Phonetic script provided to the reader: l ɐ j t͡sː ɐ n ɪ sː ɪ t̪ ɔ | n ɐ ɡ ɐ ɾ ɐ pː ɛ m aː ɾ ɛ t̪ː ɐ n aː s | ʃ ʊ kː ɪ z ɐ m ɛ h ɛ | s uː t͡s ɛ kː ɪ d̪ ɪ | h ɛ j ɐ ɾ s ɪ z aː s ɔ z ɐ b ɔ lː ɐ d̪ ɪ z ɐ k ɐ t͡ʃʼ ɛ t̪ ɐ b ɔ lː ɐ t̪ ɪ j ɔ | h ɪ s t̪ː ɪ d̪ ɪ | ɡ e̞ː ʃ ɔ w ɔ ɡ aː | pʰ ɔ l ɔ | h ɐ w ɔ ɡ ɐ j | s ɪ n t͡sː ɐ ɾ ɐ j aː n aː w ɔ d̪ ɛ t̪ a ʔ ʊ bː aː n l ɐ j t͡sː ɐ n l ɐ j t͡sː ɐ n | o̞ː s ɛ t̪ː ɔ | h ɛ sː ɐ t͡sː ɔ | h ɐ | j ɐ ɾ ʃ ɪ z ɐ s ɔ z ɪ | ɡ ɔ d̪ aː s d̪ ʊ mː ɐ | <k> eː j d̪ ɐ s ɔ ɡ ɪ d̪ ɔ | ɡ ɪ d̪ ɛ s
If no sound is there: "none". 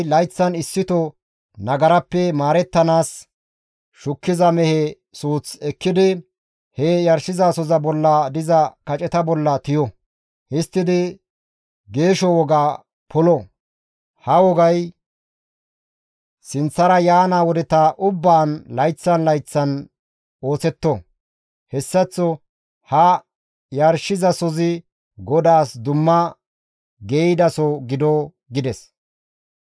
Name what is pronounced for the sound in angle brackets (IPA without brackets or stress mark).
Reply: ɡ